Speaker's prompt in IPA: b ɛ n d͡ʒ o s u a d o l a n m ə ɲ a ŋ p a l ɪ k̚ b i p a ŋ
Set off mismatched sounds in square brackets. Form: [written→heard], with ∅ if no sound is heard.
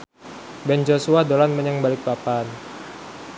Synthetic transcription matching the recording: b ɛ n d͡ʒ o s u a d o l a n m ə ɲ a ŋ [p→b] a l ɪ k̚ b [i→a] p a [ŋ→n]